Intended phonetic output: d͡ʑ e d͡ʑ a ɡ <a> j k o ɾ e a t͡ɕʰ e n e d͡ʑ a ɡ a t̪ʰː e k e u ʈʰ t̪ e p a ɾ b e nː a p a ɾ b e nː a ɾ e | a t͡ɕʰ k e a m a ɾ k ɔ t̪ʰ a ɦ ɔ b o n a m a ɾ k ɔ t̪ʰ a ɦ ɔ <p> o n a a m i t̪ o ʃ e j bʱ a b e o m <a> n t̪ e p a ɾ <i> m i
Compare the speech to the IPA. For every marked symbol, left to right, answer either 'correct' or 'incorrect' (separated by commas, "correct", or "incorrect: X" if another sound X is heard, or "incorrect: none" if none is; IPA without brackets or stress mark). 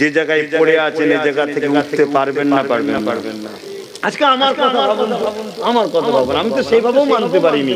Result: correct, incorrect: b, correct, correct